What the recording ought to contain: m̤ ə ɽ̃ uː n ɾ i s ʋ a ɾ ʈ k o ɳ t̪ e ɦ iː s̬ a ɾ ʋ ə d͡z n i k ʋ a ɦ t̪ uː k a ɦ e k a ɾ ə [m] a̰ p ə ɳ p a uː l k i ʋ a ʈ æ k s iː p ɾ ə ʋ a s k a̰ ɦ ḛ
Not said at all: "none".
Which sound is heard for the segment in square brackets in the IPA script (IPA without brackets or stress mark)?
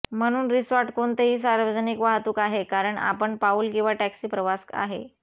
ɳ